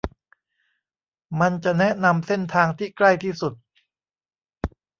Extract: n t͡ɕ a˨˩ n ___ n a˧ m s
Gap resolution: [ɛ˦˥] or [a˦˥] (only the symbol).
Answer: ɛ˦˥